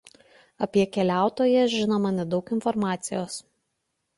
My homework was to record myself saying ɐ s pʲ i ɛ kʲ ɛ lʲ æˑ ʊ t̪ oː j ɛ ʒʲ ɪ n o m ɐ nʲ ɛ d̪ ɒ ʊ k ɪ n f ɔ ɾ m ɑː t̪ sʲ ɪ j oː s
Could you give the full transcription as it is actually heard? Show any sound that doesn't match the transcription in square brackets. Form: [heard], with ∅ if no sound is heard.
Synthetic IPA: ɐ [∅] pʲ i ɛ kʲ ɛ lʲ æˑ ʊ t̪ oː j ɛ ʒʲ ɪ n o m ɐ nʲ ɛ d̪ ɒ ʊ k ɪ n f ɔ ɾ m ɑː t̪ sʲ ɪ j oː s

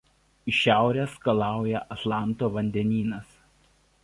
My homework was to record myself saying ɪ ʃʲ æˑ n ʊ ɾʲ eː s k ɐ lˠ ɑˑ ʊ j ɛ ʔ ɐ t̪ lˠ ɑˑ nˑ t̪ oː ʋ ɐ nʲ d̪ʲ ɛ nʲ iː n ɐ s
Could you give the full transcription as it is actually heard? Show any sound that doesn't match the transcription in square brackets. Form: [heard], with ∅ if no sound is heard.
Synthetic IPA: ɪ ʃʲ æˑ [∅] ʊ ɾʲ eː s k ɐ lˠ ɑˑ ʊ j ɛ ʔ ɐ t̪ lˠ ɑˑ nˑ t̪ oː ʋ ɐ nʲ d̪ʲ ɛ nʲ iː n ɐ s

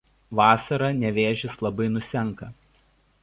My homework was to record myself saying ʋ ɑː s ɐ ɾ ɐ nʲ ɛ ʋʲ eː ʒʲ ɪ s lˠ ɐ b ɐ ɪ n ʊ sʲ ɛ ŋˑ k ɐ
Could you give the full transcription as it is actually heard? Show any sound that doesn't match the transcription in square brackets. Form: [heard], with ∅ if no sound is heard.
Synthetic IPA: ʋ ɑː s ɐ ɾ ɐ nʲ ɛ ʋʲ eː ʒʲ ɪ s lˠ ɐ b ɐ ɪ n ʊ sʲ ɛ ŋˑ k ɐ

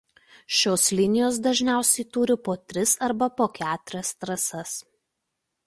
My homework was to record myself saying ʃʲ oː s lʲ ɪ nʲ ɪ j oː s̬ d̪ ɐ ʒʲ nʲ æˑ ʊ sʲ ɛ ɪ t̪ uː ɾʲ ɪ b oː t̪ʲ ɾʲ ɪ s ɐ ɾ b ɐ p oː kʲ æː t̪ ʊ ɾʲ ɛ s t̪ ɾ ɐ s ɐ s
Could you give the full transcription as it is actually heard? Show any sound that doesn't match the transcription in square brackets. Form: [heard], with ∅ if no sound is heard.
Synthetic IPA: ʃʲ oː s lʲ ɪ nʲ ɪ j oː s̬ d̪ ɐ ʒʲ nʲ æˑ ʊ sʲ ɛ ɪ t̪ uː ɾʲ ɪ [p] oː t̪ʲ ɾʲ ɪ s ɐ ɾ b ɐ p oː kʲ æː t̪ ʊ ɾʲ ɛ s t̪ ɾ ɐ s ɐ s

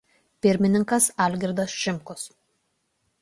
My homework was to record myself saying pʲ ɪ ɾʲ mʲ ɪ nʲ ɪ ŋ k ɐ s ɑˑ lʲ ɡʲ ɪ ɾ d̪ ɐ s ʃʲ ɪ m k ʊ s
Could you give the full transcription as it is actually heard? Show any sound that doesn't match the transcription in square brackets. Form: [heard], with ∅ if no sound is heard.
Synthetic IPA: pʲ ɪ ɾʲ mʲ ɪ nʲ ɪ ŋ k ɐ s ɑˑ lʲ ɡʲ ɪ ɾ d̪ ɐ s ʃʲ ɪ m k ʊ s

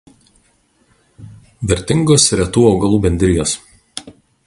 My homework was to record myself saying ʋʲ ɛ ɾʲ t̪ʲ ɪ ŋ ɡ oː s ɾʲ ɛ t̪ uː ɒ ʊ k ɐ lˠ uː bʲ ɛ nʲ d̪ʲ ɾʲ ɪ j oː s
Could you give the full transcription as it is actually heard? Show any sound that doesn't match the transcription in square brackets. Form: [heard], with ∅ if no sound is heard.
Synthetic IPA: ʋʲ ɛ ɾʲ t̪ʲ ɪ ŋ ɡ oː s ɾʲ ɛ t̪ uː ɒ ʊ [ɡ] ɐ lˠ uː bʲ ɛ nʲ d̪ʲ ɾʲ ɪ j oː s

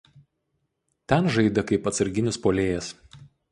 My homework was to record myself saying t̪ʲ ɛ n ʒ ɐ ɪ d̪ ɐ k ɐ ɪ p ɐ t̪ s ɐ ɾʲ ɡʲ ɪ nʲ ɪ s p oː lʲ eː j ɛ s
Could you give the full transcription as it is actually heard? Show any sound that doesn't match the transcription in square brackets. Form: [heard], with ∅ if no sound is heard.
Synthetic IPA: t̪ʲ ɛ n ʒ ɐ ɪ d̪ ɐ k ɐ ɪ p ɐ t̪ s ɐ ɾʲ ɡʲ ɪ nʲ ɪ s p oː lʲ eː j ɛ s

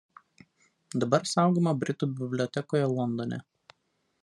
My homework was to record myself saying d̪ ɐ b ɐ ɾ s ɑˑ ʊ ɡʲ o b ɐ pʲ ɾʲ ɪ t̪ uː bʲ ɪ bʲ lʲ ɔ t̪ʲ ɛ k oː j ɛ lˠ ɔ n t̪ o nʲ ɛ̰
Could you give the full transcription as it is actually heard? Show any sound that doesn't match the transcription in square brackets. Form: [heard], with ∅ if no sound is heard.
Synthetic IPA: d̪ ɐ b ɐ ɾ s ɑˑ ʊ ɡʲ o [m] ɐ [bʲ] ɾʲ ɪ t̪ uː bʲ ɪ bʲ lʲ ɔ t̪ʲ ɛ k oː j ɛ lˠ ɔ n [d̪] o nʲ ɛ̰

